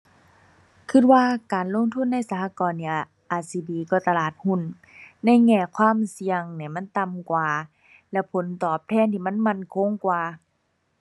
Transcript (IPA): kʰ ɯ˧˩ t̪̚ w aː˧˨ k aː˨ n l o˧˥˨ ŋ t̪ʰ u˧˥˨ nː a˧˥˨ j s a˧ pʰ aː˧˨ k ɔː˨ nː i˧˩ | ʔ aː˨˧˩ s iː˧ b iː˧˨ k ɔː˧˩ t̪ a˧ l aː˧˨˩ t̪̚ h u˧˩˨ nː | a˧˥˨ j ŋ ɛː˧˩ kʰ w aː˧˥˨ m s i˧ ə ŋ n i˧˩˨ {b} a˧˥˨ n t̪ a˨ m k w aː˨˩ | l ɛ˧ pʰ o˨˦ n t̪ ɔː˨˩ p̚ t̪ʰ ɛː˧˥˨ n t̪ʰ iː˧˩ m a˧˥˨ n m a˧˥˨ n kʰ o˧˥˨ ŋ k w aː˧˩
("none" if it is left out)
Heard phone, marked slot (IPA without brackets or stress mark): m